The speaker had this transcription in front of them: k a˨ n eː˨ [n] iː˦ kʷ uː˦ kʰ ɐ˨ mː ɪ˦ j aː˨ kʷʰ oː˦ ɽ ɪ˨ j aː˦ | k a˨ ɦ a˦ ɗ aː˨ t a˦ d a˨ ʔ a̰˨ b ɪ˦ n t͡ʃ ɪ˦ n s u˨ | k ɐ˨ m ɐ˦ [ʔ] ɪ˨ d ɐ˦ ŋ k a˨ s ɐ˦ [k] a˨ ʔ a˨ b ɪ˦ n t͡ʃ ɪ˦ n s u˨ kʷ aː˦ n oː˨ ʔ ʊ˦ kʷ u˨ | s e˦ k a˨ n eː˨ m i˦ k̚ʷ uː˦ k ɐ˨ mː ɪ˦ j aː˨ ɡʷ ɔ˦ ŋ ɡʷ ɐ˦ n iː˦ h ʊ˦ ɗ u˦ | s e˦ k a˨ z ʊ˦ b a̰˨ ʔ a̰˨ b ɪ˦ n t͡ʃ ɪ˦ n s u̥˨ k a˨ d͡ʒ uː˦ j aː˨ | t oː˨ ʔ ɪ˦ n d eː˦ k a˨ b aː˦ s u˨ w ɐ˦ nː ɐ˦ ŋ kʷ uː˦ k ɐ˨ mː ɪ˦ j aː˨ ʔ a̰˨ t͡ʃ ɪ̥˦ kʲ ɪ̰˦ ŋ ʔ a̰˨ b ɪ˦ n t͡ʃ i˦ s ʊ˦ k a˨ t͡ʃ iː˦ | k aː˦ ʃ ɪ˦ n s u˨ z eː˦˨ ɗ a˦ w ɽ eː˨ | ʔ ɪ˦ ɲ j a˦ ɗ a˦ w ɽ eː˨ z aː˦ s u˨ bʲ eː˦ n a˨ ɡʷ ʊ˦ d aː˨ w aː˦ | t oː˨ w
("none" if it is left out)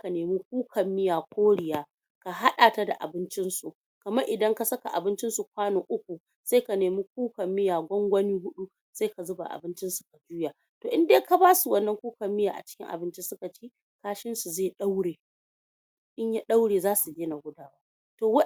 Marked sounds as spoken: m, ʔ, k

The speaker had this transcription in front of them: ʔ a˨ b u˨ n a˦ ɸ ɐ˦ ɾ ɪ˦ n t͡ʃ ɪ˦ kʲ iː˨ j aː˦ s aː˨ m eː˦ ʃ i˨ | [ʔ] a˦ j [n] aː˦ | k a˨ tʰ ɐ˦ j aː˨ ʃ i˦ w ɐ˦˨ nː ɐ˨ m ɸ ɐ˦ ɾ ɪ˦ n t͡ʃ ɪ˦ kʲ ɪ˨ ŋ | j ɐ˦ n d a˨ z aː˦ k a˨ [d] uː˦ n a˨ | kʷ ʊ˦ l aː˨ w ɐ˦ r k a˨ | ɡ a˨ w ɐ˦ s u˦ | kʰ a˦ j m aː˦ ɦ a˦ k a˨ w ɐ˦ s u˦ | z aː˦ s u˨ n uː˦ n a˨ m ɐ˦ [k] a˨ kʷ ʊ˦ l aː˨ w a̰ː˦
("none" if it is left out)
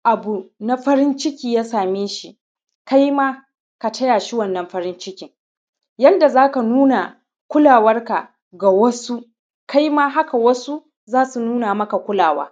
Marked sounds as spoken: k, m, n, k

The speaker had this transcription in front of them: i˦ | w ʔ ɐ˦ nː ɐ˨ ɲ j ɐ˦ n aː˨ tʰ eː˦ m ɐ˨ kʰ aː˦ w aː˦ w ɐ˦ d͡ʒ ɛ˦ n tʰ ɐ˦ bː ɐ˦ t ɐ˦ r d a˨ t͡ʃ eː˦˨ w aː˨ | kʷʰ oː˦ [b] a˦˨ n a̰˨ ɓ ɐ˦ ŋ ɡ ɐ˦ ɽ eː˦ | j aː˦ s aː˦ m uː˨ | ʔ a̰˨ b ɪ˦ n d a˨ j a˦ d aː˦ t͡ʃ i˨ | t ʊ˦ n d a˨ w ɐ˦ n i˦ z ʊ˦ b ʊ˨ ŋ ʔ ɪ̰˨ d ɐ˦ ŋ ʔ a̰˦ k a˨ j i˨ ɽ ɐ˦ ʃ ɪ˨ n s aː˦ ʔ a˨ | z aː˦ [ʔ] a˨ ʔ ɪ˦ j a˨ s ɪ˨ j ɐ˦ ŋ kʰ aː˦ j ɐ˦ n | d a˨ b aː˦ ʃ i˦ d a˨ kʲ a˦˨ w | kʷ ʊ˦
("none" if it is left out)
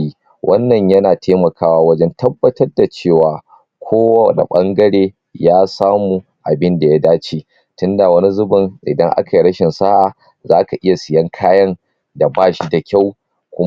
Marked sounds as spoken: w, k

